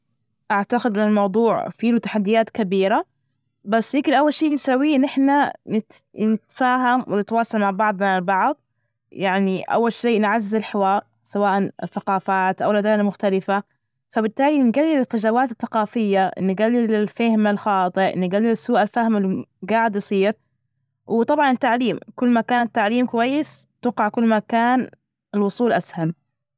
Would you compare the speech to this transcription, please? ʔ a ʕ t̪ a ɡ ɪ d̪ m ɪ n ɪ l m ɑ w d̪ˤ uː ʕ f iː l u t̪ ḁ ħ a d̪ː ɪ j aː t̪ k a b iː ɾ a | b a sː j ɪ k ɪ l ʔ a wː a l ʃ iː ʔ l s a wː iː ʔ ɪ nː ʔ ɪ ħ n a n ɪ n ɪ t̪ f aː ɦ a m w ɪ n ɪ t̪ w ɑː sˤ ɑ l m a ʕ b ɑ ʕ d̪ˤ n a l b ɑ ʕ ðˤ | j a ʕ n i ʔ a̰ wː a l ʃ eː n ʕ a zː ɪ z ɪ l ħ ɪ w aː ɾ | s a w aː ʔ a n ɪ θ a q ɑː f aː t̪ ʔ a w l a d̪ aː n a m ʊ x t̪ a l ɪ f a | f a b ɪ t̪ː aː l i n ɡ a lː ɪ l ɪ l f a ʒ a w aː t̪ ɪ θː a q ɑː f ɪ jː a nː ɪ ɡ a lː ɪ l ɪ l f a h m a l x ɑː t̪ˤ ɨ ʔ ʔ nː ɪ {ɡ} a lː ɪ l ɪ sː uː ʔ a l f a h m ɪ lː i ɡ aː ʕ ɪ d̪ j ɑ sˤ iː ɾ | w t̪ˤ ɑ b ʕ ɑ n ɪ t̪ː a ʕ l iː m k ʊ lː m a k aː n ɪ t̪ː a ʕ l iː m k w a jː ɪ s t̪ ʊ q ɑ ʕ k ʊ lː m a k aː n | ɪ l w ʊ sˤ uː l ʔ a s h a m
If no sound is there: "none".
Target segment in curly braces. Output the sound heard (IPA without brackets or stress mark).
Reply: ɡ